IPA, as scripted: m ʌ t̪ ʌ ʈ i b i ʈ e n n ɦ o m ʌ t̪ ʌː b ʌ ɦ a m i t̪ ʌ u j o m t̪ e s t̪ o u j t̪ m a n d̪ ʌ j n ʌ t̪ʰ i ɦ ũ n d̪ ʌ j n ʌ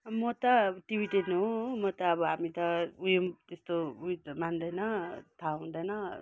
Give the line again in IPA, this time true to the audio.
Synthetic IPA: m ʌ t̪ ʌ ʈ i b i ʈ e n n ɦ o m ʌ t̪ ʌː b ʌ ɦ a m i t̪ ʌ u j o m t̪ e s t̪ o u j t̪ m a n d̪ ʌ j n ʌ t̪ʰ a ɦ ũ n d̪ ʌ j n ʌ